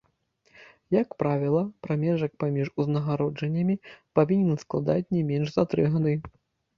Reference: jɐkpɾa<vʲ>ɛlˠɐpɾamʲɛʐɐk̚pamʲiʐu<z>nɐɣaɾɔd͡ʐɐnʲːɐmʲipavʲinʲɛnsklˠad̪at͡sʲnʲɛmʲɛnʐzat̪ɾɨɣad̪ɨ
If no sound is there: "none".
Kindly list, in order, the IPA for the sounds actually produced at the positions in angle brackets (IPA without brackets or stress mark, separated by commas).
vʲ, z